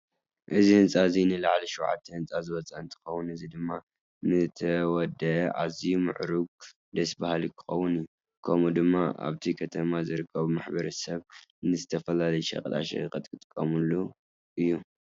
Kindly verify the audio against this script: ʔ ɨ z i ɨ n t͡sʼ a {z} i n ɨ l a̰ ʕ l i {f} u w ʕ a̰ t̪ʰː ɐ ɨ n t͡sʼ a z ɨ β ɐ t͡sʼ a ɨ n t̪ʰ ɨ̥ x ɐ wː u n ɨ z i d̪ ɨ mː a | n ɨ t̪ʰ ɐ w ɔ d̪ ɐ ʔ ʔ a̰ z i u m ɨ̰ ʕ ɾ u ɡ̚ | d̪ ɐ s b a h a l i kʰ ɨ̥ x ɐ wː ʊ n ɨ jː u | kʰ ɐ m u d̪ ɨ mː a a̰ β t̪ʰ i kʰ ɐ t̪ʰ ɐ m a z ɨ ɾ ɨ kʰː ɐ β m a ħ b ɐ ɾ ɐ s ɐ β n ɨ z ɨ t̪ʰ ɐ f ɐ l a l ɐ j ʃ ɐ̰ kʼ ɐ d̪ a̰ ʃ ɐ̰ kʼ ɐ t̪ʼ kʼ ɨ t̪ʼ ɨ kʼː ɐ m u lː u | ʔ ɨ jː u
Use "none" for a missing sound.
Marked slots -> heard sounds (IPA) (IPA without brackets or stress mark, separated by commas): z, ʃ